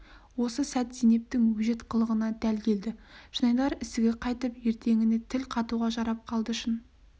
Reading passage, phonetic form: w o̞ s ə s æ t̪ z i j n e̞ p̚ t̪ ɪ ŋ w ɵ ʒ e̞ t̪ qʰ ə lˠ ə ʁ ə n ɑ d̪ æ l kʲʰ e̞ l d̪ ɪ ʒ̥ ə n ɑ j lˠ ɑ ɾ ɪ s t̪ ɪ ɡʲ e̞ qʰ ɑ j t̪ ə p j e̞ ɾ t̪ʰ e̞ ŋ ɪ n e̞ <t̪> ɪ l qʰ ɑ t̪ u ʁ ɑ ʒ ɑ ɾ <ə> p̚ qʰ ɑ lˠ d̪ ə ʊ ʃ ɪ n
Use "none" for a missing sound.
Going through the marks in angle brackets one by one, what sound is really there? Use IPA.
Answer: t̪ʰ, ɑ

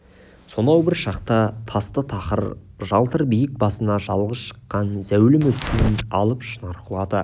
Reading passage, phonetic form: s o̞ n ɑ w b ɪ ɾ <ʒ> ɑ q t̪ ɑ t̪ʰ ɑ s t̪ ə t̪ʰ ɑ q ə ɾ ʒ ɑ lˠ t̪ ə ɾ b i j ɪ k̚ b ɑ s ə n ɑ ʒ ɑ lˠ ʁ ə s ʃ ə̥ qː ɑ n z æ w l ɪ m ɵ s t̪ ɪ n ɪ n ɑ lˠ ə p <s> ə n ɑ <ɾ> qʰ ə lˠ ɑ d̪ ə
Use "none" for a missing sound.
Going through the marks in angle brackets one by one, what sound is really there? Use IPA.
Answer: ʃ, ʃ, ɾ

